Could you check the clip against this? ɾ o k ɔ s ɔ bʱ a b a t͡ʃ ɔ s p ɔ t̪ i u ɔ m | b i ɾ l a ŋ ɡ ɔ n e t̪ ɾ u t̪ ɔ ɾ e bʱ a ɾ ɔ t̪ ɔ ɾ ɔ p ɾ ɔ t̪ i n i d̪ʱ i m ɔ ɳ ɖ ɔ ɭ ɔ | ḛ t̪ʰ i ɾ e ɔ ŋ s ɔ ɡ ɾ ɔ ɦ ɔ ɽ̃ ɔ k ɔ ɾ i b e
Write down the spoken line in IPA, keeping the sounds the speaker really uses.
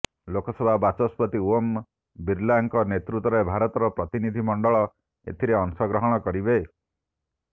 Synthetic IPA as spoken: l o k ɔ s ɔ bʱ a b a t͡ʃ ɔ s p ɔ t̪ i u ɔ m | b i ɾ l a ŋ k ɔ n e t̪ ɾ u t̪ ɔ ɾ e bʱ a ɾ ɔ t̪ ɔ ɾ ɔ p ɾ ɔ t̪ i n i d̪ʱ i m ɔ ɳ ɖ ɔ ɭ ɔ | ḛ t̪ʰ i ɾ e ɔ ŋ s ɔ ɡ ɾ ɔ ɦ ɔ ɽ̃ ɔ k ɔ ɾ i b e